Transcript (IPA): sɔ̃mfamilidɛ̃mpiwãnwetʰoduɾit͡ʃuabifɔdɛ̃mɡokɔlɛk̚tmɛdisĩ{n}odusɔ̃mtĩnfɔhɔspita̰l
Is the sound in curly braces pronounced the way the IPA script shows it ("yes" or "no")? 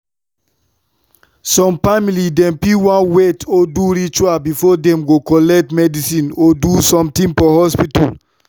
yes